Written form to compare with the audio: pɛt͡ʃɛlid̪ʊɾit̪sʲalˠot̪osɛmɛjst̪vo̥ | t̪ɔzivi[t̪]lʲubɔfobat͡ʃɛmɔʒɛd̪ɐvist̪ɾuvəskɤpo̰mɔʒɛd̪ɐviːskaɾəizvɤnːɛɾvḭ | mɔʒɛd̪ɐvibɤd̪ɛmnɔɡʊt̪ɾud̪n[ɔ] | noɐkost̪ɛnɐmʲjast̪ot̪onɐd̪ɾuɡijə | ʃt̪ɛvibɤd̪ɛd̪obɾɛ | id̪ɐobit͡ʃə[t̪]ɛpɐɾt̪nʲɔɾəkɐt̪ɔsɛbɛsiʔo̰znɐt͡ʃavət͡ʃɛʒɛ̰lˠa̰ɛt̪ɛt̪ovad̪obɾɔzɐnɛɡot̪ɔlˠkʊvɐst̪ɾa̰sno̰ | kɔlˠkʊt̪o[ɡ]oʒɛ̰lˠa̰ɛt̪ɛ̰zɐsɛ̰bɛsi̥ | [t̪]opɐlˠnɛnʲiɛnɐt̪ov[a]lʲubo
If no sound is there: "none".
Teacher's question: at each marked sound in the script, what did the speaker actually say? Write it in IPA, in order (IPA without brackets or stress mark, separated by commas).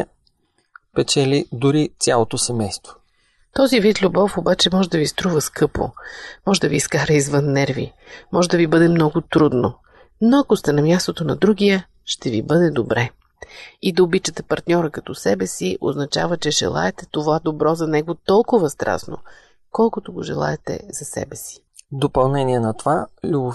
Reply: t̪, o, t̪, ɡ, d̪, a